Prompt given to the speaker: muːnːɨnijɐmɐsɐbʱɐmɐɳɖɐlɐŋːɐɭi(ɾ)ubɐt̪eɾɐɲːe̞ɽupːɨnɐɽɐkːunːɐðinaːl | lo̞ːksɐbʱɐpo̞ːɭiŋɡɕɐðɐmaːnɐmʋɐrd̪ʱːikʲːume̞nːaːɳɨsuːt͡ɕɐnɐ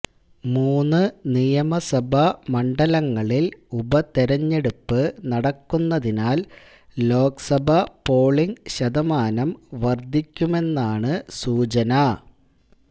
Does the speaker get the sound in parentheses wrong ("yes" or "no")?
yes